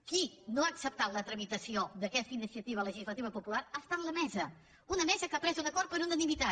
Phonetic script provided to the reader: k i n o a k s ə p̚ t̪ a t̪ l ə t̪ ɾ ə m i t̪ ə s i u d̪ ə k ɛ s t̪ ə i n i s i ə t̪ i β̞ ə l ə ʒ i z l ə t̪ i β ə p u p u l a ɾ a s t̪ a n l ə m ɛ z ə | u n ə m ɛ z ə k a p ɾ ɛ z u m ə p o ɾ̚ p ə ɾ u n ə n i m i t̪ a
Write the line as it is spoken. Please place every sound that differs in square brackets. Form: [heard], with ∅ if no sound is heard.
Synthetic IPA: k i n o a k s ə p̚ t̪ a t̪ l ə t̪ ɾ ə m i t̪ ə s i [o] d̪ ə k ɛ s t̪ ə i n i s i ə t̪ i β̞ ə l ə ʒ i z l ə t̪ i β ə p u p u l a ɾ a s t̪ a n l ə m ɛ z ə | u n ə m ɛ z ə k a p ɾ ɛ z u [n] ə [k] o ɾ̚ p ə ɾ u n ə n i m i t̪ a

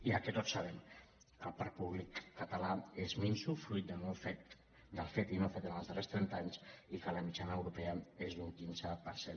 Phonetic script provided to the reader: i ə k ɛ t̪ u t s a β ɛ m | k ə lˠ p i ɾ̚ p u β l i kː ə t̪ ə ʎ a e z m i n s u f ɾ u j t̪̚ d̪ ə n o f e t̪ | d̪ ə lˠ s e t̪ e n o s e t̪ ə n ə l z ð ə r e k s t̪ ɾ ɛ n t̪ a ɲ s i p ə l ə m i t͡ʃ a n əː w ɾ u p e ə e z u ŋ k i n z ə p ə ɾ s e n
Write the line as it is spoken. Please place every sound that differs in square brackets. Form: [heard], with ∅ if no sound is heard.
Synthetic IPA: i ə k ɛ t̪ [o] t s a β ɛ m | k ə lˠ p [a] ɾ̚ p u β l i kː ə t̪ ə [l] a e z m i n s u f ɾ u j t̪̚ d̪ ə n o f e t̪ | d̪ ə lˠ [f] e t̪ [i] n o [f] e t̪ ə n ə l z ð ə r e [∅] s t̪ ɾ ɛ n t̪ a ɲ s i [k] ə l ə m i t͡ʃ a n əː w ɾ u p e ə e z u ŋ k i n z ə p ə ɾ s e n

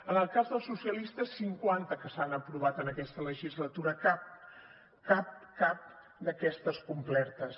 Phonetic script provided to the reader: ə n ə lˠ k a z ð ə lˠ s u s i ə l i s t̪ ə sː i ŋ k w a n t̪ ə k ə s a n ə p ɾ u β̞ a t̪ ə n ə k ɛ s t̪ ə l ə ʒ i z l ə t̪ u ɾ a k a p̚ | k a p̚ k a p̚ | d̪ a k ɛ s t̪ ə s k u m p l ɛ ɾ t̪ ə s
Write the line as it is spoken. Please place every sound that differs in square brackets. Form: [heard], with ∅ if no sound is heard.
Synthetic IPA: ə n ə lˠ k a z ð ə lˠ s u s i ə l i s t̪ ə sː i ŋ k w a n t̪ ə k ə s a n ə p ɾ u β̞ a t̪ ə n ə k ɛ s t̪ ə l ə ʒ i z l ə t̪ u ɾ [ə] k a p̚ | k a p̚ k a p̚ | d̪ [ə] k ɛ s t̪ ə s k u m p l ɛ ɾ t̪ ə s

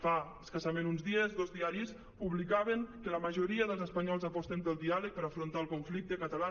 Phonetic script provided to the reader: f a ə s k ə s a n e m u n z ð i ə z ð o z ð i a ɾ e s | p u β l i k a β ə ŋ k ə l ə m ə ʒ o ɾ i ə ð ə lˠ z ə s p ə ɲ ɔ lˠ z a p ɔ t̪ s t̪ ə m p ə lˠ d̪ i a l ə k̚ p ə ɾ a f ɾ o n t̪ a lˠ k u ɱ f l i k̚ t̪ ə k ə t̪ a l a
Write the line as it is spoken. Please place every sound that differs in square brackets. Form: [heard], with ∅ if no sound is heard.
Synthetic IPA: f a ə s k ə s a [m] e [n] u n z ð i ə z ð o z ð i a ɾ [i] s | p u β l i k a β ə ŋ k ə l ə m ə ʒ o ɾ i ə ð ə lˠ z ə s p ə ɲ ɔ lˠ z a p ɔ [∅] s t̪ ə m p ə lˠ d̪ i a l ə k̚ p ə ɾ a f ɾ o n t̪ a lˠ k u ɱ f l i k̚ t̪ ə k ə t̪ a l a

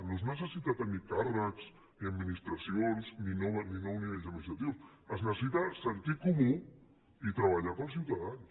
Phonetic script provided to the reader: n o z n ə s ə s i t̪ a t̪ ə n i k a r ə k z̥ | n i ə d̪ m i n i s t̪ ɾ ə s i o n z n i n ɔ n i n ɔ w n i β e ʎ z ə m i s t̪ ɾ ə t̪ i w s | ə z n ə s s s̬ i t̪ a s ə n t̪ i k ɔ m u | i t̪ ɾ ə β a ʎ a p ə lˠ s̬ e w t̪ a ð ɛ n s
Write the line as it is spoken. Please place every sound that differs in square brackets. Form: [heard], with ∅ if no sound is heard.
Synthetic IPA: n o z n ə s ə s i t̪ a t̪ ə n i k a r ə k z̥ | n i ə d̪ m i n i s t̪ ɾ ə s i o n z n i n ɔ n i n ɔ w n i β e ʎ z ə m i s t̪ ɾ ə t̪ i w s | ə z n ə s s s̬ i t̪ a s ə n t̪ i k [u] m u | i t̪ ɾ ə β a ʎ a p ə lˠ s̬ [i] w t̪ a ð [a] n s

